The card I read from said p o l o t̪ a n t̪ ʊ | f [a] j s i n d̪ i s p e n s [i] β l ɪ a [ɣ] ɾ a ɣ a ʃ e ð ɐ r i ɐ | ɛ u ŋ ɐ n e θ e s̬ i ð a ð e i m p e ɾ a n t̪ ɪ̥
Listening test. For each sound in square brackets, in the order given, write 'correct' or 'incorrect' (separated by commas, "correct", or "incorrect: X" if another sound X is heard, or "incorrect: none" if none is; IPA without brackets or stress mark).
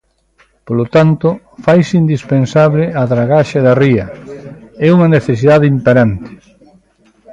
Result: correct, incorrect: a, incorrect: ð